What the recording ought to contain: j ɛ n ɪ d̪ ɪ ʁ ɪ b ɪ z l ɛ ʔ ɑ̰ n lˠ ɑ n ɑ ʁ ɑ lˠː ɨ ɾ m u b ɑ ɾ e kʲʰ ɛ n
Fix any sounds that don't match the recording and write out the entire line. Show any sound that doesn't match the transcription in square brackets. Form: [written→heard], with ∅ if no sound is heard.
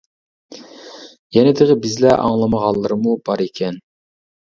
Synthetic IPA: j ɛ n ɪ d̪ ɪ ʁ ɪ b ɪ z l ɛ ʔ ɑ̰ [n→ŋ] lˠ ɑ [n→m] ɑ ʁ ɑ lˠː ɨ ɾ m u b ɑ ɾ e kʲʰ ɛ n